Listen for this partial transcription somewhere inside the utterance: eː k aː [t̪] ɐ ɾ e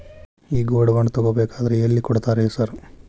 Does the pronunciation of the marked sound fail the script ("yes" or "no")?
yes